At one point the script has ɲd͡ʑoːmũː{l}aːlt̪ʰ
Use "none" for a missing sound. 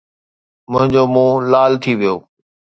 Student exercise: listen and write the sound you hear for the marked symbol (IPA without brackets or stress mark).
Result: l